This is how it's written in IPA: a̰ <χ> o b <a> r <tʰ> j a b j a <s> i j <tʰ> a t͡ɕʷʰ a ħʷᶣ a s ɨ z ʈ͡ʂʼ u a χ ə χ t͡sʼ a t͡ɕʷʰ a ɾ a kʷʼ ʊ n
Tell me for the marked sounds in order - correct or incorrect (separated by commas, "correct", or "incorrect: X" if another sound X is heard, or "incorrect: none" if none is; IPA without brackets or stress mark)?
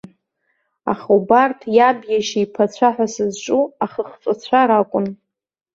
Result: correct, correct, correct, incorrect: ʃ, incorrect: pʰ